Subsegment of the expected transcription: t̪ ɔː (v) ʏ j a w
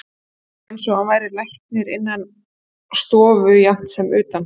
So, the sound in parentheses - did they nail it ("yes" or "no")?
yes